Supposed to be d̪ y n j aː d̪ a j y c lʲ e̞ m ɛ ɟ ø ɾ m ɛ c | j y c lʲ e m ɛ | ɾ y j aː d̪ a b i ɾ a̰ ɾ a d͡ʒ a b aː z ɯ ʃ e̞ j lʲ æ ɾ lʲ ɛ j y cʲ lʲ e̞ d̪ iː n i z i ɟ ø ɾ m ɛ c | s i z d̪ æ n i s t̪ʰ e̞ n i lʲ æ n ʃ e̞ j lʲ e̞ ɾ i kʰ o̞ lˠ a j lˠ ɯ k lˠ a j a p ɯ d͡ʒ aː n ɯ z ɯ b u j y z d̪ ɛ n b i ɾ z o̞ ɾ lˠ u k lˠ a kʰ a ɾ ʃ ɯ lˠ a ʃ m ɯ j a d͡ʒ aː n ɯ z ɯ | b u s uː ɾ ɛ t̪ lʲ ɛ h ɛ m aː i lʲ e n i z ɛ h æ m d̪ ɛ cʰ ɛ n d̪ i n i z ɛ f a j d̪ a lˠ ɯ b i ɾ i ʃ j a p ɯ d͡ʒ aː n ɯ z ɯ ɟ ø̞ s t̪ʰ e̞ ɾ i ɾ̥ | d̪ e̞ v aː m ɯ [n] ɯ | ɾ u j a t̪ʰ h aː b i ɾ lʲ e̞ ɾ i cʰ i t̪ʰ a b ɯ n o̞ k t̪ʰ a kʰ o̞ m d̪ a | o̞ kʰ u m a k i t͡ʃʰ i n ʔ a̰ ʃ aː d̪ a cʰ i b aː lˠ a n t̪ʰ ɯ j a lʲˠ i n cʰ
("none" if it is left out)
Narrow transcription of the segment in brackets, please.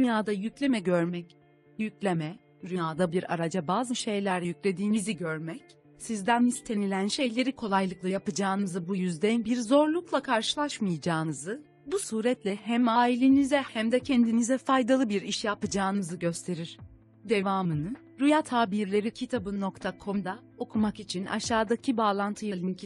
n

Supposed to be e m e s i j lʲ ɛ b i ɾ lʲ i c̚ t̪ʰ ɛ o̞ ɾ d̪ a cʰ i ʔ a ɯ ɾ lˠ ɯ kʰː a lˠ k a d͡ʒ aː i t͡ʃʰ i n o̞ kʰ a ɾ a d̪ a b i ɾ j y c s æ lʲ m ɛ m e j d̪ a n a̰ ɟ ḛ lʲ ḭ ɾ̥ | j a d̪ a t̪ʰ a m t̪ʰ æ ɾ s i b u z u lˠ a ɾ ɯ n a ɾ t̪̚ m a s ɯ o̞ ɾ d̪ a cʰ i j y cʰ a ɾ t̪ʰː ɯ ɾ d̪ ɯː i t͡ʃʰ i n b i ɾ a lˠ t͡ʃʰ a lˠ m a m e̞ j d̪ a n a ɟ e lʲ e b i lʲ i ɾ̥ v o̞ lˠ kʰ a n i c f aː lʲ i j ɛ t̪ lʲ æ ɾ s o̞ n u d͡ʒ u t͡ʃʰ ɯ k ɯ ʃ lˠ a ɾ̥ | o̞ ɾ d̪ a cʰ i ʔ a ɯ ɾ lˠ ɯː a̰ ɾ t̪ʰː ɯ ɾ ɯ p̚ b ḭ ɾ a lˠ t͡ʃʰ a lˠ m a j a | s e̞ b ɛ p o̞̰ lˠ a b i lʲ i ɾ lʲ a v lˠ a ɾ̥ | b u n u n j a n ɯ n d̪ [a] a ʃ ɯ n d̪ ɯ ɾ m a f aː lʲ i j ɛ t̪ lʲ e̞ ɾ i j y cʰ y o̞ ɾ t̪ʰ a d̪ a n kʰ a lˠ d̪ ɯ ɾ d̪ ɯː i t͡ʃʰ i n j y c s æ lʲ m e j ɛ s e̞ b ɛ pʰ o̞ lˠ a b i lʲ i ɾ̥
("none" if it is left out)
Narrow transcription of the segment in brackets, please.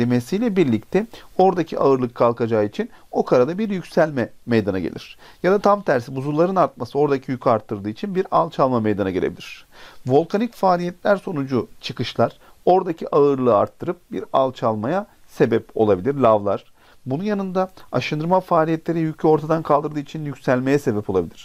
a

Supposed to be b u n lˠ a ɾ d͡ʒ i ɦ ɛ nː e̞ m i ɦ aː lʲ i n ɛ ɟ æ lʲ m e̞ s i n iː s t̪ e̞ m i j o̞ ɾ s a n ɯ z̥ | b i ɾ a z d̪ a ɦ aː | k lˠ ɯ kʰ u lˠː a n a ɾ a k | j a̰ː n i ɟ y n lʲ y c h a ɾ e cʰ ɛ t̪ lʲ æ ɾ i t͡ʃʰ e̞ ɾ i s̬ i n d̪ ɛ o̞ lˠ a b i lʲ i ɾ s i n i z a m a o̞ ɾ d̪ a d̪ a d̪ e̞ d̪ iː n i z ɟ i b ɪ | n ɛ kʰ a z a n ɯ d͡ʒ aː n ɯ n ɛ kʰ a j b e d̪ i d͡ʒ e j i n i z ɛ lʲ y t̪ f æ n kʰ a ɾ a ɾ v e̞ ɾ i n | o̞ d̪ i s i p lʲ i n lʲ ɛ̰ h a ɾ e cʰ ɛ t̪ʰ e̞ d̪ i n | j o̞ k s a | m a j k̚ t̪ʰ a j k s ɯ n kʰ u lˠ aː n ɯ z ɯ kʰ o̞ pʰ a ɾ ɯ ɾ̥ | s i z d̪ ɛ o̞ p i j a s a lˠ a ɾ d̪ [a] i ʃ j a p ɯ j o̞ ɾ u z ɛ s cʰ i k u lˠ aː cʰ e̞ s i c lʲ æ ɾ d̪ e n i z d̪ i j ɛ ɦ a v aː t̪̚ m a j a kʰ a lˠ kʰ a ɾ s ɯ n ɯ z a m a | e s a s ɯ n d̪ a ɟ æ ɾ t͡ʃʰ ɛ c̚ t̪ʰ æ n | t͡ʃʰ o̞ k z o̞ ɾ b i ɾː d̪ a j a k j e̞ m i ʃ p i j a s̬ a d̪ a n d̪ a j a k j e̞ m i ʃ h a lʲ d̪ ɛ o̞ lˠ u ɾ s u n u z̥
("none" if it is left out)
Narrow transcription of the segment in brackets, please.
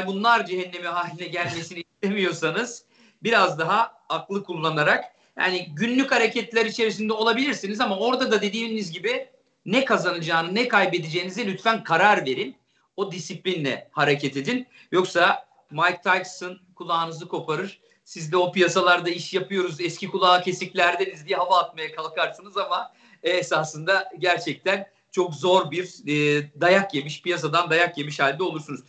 a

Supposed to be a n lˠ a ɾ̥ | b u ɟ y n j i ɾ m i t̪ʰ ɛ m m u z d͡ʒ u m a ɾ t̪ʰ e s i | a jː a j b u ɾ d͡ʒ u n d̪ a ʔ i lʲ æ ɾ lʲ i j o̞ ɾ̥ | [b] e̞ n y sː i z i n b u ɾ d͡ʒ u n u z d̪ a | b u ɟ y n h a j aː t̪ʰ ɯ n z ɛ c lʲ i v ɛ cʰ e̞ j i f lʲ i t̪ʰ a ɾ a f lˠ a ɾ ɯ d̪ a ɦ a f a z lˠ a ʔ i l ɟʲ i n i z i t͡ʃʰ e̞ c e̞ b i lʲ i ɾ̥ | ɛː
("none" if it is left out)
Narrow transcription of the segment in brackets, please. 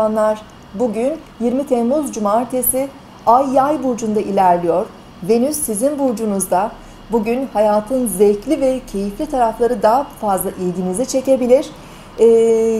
v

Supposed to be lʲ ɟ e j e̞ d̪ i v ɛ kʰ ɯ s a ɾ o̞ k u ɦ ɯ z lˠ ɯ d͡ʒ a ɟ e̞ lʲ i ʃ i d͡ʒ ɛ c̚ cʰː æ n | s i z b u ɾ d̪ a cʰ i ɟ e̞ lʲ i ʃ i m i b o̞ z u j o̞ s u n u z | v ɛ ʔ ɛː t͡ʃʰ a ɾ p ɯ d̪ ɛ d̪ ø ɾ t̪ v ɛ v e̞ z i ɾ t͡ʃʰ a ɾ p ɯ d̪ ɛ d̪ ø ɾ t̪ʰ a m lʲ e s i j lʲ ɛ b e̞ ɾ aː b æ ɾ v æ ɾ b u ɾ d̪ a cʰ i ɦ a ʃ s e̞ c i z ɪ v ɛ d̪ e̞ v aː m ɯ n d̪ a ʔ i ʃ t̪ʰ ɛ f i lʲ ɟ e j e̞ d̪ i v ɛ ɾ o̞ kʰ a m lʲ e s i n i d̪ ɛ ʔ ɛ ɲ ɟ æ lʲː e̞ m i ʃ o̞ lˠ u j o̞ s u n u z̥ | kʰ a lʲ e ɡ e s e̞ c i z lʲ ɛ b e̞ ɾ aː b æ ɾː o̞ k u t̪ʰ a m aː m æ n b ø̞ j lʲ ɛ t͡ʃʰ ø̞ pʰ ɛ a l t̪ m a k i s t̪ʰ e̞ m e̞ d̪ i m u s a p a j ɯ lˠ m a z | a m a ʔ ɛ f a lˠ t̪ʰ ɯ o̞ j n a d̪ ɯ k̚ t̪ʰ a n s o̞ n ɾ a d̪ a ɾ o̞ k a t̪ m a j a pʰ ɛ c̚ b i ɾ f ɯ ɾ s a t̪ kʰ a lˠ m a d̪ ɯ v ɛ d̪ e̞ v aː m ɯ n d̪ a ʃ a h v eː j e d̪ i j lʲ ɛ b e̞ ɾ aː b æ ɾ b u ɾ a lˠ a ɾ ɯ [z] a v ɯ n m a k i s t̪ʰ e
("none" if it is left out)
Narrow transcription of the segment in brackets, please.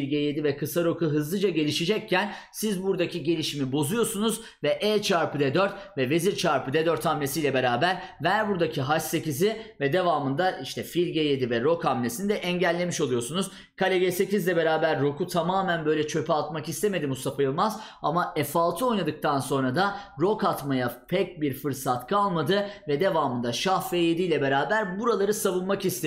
s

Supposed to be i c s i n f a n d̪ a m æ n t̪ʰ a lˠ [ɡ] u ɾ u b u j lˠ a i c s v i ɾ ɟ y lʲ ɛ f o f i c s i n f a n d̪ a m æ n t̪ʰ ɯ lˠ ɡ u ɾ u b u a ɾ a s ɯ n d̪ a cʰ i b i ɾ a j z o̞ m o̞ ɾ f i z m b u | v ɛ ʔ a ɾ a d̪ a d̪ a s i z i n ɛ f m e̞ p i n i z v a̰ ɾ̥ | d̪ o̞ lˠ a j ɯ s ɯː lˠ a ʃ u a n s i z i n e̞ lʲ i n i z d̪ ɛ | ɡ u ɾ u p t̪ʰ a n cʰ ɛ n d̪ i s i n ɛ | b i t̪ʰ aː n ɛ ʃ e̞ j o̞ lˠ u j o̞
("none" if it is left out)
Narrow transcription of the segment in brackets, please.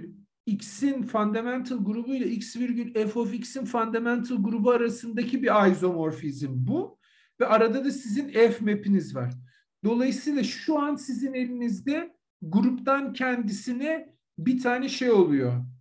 ɡ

